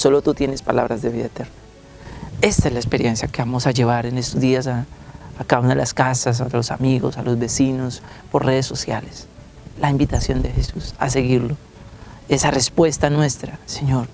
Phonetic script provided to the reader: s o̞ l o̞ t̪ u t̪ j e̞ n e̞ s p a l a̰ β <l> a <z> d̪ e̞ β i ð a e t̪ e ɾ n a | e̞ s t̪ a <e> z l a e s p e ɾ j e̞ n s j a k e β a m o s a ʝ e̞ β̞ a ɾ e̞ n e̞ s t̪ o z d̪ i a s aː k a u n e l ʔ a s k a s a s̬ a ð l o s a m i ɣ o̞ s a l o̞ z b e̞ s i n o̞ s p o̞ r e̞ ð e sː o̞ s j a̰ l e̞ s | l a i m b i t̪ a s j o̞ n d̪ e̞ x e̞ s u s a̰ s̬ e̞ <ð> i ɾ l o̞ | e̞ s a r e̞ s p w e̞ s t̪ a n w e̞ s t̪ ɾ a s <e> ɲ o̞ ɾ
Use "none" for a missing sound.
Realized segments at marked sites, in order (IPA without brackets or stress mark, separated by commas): ɾ, z, e, ɣ, e